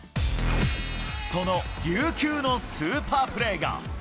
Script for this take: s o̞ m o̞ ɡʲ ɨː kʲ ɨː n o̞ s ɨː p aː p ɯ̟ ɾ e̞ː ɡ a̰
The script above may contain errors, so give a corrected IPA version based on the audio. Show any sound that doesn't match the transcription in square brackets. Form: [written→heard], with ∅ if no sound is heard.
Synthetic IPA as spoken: s o̞ [m→n] o̞ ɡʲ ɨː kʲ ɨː n o̞ s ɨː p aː p ɯ̟ ɾ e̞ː ɡ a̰